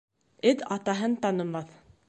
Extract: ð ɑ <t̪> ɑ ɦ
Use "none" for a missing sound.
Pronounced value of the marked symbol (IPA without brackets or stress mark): t̪